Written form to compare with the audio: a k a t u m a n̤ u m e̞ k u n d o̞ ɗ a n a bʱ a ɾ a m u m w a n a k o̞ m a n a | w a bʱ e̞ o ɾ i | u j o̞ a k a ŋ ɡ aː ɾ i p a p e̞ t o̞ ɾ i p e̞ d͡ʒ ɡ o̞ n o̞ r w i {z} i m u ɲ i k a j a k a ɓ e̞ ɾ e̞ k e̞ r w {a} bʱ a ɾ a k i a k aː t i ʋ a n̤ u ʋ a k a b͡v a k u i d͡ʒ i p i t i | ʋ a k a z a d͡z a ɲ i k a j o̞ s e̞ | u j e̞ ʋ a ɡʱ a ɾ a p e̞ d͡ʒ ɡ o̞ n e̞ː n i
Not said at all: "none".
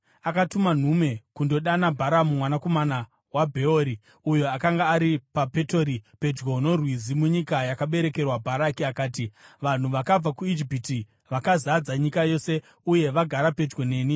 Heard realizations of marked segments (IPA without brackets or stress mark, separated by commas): z, a